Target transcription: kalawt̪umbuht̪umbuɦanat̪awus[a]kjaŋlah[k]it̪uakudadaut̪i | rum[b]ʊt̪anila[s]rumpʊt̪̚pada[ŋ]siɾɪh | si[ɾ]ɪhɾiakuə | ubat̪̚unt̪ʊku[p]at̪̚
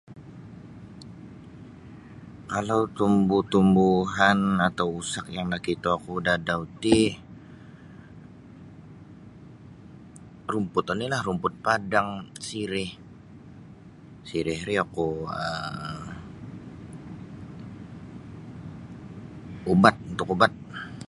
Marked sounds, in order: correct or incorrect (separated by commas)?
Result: correct, correct, incorrect, incorrect, correct, correct, incorrect